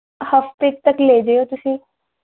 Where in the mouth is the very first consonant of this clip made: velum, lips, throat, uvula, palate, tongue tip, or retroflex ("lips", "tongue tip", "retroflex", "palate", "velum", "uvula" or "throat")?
throat